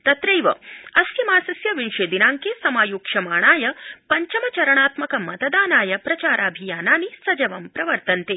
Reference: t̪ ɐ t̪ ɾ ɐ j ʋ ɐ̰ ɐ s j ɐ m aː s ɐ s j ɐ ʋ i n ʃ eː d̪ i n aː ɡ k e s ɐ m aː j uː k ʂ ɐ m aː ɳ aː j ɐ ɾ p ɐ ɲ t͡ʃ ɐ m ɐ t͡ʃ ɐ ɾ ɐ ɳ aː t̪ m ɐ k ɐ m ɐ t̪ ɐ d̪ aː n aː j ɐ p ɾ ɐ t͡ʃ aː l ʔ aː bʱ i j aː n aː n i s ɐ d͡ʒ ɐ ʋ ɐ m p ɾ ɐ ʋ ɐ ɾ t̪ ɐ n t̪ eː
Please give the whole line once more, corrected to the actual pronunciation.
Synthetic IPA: t̪ ɐ t̪ ɾ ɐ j ʋ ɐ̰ ɐ s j ɐ m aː s ɐ s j ɐ ʋ i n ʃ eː d̪ i n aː ŋ k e s ɐ m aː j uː k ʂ ɐ m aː ɳ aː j ɐ p ɐ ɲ t͡ʃ ɐ m ɐ t͡ʃ ɐ ɾ ɐ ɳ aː t̪ m ɐ k ɐ m ɐ t̪ ɐ d̪ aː n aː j ɐ p ɾ ɐ t͡ʃ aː ɾ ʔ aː bʱ i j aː n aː n i s ɐ d͡ʒ ɐ ʋ ɐ m p ɾ ɐ ʋ ɐ ɾ t̪ ɐ n t̪ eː

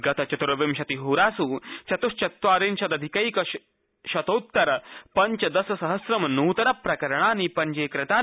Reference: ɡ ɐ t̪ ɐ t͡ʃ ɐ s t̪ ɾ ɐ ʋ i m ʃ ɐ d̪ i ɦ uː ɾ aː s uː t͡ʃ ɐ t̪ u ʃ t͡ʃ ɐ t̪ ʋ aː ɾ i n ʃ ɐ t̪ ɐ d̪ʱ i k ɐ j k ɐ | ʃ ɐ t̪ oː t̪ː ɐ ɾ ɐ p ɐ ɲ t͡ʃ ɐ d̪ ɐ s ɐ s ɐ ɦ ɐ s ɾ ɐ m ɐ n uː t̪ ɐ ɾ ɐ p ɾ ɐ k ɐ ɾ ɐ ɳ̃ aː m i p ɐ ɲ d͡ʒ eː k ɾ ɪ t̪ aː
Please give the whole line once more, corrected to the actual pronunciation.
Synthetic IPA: ɡ ɐ t̪ ɐ t͡ʃ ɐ t̪ ɾ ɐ ʋ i m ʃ ɐ t̪ i ɦ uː ɾ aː s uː t͡ʃ ɐ t̪ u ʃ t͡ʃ ɐ t̪ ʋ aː ɾ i n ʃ ɐ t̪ ɐ d̪ʱ i k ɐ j k ɐ | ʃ ɐ t̪ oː t̪ː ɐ ɾ ɐ p ɐ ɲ t͡ʃ ɐ d̪ ɐ s ɐ s ɐ ɦ ɐ s ɾ ɐ m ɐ n uː t̪ ɐ ɾ ɐ p ɾ ɐ k ɐ ɾ ɐ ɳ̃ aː n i p ɐ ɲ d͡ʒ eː k ɾ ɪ t̪ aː

